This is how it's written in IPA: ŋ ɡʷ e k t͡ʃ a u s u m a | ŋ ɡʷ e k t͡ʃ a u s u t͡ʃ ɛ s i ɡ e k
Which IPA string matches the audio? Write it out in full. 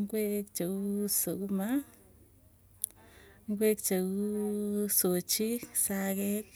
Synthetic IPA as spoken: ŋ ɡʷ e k t͡ʃ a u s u m a | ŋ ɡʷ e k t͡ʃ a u s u t͡ʃ i s a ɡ e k